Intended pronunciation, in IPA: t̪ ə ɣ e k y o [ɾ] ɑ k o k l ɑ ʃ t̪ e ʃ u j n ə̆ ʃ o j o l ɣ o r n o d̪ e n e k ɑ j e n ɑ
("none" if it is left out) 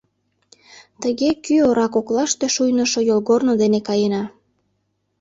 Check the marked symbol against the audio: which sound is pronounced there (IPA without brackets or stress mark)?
ɾ